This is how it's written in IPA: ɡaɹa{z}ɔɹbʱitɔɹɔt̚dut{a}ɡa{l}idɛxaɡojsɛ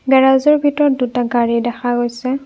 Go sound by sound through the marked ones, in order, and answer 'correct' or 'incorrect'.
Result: correct, correct, incorrect

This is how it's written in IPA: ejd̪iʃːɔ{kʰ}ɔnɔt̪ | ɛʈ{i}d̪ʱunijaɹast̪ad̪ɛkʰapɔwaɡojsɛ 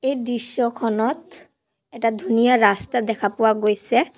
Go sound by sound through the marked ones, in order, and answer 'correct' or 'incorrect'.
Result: correct, incorrect

